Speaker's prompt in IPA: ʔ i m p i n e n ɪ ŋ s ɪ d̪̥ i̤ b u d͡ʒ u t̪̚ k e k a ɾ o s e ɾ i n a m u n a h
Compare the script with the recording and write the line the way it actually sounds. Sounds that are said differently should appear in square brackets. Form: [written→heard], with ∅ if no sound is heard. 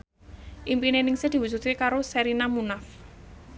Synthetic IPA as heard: ʔ i m p i n e n ɪ ŋ s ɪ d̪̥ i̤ [b→w] u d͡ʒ u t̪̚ k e k a ɾ o s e ɾ i n a m u n a [h→f]